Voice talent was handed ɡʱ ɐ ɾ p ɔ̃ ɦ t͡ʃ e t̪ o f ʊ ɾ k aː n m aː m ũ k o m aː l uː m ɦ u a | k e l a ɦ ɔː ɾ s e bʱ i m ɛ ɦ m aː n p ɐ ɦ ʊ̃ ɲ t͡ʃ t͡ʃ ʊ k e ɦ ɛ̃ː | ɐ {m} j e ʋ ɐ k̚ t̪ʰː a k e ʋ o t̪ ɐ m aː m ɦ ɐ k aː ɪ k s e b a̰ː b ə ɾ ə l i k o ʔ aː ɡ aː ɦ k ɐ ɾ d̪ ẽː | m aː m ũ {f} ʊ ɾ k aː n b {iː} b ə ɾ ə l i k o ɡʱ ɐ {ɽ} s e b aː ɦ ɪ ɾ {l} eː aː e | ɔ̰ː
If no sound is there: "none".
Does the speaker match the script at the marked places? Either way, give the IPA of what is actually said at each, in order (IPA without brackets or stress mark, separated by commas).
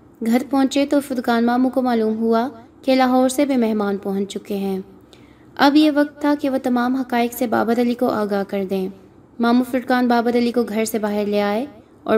b, f, aː, ɾ, l